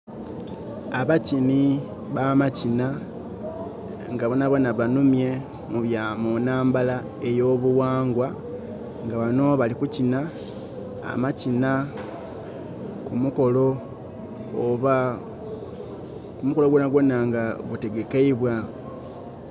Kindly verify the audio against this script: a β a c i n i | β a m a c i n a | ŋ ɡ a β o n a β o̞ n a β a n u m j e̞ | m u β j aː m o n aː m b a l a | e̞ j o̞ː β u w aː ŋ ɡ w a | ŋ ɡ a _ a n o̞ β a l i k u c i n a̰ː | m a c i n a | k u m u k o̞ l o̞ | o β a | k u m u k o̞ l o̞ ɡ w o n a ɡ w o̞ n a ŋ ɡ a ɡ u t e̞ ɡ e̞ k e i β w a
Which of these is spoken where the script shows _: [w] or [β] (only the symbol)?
β